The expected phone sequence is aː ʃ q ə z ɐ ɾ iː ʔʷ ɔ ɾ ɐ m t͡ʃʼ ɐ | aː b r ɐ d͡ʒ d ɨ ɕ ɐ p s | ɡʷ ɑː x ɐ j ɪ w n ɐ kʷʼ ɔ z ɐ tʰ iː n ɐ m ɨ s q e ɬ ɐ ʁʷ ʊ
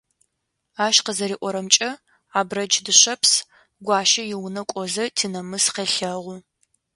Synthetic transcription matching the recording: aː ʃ q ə z ɐ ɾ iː ʔʷ ɔ ɾ ɐ m t͡ʃʼ ɐ | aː b r ɐ d͡ʒ d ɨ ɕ ɐ p s | ɡʷ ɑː ʃ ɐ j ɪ w n ɐ kʷʼ ɔ z ɐ tʰ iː n ɐ m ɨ s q e ɬ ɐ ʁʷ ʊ